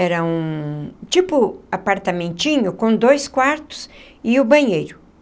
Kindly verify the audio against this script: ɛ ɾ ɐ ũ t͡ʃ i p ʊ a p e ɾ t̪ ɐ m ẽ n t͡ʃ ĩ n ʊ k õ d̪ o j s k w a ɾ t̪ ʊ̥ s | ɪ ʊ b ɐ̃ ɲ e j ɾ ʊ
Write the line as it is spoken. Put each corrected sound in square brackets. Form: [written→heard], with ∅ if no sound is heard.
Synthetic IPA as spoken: ɛ ɾ ɐ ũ t͡ʃ i p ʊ a p [e→a] ɾ t̪ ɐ m ẽ n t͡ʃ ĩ [n→ɲ] ʊ k õ d̪ o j s k w a ɾ t̪ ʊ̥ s | ɪ ʊ b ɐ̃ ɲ e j ɾ ʊ